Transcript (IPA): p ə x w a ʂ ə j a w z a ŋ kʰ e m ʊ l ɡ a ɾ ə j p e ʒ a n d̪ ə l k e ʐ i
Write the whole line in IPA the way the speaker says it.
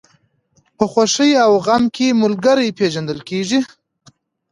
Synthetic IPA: p ə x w a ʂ ə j a w ɣ a m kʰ e m ʊ l ɡ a ɾ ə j p e ʒ a n d̪ ə l k e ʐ i